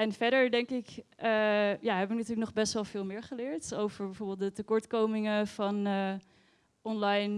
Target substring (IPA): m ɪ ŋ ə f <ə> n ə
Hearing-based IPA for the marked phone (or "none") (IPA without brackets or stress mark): ɑ